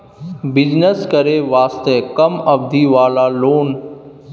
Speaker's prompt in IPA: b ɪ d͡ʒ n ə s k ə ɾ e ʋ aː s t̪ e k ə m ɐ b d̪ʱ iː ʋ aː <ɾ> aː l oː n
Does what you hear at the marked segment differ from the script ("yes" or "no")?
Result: yes